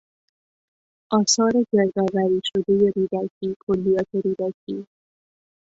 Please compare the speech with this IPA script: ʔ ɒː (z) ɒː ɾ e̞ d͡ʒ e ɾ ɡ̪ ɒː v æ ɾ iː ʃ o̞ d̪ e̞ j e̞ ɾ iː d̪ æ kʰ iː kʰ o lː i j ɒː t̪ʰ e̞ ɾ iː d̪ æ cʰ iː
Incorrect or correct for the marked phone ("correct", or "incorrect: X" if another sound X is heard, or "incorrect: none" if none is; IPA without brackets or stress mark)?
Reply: incorrect: s